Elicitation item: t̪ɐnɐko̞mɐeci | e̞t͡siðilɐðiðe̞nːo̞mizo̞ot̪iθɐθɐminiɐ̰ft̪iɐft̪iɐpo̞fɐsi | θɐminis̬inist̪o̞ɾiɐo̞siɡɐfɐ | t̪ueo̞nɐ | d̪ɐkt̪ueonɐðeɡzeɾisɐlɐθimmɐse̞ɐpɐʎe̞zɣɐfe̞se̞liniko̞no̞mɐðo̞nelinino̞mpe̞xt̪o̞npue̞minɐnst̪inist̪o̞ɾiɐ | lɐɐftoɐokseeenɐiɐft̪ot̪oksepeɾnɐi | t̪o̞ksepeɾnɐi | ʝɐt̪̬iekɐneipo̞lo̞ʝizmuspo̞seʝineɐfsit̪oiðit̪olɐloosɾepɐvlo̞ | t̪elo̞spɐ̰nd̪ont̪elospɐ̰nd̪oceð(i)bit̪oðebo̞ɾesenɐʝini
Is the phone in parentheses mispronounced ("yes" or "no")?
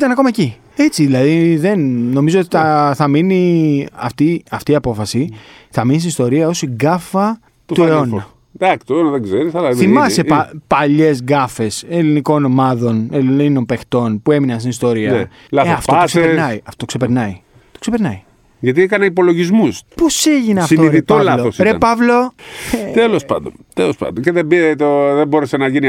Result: yes